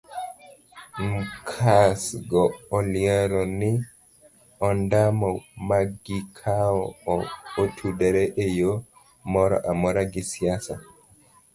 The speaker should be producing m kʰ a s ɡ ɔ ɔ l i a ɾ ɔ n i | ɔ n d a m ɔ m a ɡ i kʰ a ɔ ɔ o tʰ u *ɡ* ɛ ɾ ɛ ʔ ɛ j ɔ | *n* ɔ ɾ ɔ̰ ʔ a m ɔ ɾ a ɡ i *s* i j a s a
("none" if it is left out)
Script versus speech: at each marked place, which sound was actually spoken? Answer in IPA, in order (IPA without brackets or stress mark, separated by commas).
d, m, s